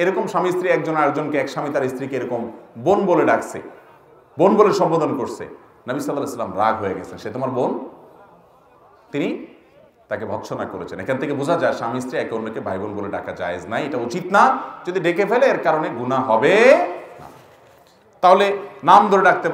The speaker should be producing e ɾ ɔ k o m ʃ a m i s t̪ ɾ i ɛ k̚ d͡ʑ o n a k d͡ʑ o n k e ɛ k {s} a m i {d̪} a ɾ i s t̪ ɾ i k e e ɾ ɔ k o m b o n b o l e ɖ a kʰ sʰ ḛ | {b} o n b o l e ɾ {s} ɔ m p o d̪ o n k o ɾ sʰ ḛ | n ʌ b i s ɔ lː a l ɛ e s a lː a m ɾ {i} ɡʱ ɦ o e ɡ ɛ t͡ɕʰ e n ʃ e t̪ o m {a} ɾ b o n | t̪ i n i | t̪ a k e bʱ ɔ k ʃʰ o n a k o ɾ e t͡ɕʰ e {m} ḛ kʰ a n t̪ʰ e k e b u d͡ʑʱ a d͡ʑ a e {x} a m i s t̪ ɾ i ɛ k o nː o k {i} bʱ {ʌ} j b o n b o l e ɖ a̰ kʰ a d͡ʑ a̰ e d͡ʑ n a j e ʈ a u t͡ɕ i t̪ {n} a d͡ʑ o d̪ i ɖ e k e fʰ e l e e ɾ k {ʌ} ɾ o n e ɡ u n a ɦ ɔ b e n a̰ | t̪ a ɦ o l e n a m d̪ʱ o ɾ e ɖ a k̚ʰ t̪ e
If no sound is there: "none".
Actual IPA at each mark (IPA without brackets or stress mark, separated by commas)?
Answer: ʃ, t̪, b, ʃ, a, a, n, ʃ, e, a, n, a